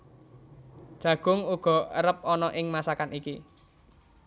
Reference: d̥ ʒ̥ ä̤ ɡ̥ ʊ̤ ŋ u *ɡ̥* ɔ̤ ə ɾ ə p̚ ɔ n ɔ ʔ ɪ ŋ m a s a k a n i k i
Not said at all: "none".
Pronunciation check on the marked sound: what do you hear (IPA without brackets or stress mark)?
ɡ̥